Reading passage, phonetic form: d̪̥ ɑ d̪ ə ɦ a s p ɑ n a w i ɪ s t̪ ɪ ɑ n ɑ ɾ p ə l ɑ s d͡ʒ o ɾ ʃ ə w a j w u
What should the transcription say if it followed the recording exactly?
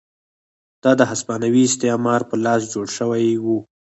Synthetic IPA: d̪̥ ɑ d̪ ə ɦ a s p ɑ n a w i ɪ s t̪ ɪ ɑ m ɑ ɾ p ə l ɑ s d͡ʒ o ɽ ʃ ə w a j w u